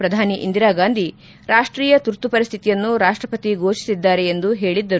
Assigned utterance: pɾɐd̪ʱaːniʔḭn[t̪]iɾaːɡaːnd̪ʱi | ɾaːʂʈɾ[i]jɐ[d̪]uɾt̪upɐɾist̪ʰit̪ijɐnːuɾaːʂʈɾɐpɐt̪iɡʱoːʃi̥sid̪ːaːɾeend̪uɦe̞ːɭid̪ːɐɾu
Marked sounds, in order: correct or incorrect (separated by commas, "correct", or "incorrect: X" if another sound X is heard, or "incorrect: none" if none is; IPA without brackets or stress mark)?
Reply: incorrect: d̪, incorrect: iː, incorrect: t̪